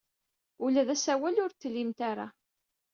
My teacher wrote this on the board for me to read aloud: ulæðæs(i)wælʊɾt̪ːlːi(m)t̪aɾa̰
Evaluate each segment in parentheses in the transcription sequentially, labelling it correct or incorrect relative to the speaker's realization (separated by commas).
incorrect, correct